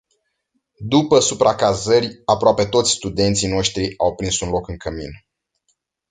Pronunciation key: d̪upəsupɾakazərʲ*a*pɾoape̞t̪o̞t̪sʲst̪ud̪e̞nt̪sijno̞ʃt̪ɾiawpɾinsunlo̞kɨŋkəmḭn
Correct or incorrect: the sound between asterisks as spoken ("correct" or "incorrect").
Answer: correct